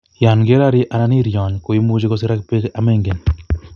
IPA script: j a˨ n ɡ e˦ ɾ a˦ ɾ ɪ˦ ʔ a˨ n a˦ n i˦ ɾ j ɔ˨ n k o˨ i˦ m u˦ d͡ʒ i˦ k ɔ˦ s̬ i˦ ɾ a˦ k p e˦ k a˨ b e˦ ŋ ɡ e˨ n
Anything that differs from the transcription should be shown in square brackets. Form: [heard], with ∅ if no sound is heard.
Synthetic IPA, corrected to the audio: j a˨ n ɡ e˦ ɾ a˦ ɾ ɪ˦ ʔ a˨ n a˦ n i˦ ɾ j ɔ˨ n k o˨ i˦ m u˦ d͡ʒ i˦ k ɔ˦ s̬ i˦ ɾ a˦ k p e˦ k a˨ [m] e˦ ŋ ɡ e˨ n